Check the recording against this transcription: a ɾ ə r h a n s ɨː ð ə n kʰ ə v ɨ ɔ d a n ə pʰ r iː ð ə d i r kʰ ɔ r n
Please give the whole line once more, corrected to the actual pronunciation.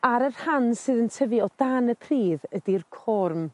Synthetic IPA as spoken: a ɾ ə r h a n s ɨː ð ə n tʰ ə v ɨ ɔ d a n ə pʰ r iː ð ə d i r kʰ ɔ r m